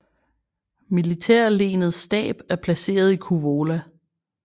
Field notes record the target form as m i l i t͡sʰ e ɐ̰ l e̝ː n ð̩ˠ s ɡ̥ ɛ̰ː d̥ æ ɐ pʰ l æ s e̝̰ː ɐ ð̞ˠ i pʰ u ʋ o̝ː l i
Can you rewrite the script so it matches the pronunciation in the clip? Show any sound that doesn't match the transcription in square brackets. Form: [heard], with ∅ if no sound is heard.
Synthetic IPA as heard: m i l i t͡sʰ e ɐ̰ l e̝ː n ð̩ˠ s [d̥] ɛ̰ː [b̥] æ ɐ pʰ l æ s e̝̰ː ɐ ð̞ˠ i [kʰ] u ʋ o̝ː l [æ]